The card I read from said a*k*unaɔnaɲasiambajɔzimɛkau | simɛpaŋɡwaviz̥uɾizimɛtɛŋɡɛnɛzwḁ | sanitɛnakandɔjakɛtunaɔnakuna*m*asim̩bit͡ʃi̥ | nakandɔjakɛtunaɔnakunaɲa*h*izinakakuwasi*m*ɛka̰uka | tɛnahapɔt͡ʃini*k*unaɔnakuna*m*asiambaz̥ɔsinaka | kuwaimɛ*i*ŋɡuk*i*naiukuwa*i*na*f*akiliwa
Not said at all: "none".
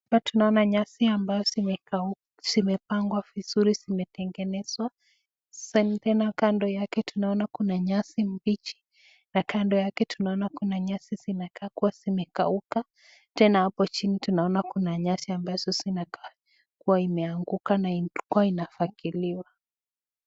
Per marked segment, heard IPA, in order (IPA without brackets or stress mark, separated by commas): t, ɲ, s, m, t, ɲ, a, a, i, f